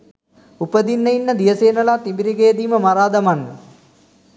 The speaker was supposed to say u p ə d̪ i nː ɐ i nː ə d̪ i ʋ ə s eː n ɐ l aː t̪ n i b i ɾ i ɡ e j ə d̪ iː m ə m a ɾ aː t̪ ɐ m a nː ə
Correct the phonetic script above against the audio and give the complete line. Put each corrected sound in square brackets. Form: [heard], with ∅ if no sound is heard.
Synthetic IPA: u p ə d̪ i nː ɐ i nː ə d̪ i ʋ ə s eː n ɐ l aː t̪ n i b i ɾ i ɡ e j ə d̪ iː m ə m a ɾ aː [d̪] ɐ m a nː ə